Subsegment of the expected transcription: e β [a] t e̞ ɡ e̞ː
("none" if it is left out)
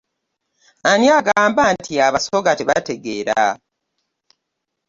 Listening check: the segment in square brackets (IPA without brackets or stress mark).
a